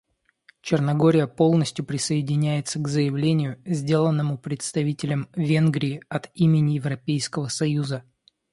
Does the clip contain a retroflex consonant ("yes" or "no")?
no